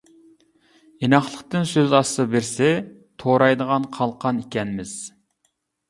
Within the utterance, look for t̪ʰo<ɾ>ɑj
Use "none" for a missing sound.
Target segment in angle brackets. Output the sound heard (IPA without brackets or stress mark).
ɾ